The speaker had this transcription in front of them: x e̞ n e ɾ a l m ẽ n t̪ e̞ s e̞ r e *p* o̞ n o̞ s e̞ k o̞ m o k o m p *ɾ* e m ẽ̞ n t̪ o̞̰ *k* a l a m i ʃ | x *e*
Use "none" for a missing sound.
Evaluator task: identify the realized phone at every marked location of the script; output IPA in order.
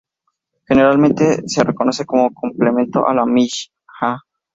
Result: k, l, ʔ, a

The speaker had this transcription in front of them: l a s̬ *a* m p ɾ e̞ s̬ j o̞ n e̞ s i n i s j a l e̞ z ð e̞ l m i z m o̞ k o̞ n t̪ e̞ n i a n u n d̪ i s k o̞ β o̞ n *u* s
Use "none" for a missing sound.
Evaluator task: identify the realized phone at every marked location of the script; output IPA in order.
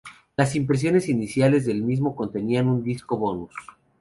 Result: i, u

